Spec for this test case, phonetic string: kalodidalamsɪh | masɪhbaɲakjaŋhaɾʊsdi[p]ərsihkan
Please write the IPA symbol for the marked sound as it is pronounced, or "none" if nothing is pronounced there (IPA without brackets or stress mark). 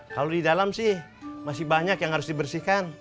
b